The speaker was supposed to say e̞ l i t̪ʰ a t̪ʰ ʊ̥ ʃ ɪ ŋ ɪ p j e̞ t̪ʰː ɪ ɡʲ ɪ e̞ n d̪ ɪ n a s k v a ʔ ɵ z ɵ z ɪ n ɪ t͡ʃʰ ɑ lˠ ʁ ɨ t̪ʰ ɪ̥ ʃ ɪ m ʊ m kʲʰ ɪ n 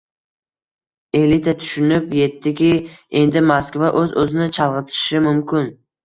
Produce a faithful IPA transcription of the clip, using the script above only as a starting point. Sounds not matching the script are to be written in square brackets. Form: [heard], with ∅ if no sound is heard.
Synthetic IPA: e̞ l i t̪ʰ a t̪ʰ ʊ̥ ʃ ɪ [n] ɪ p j e̞ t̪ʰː ɪ [kʲ] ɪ e̞ n d̪ ɪ [m] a s k v a ʔ ɵ z ɵ z ɪ n ɪ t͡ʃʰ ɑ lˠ ʁ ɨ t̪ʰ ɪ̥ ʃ ɪ m ʊ m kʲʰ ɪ n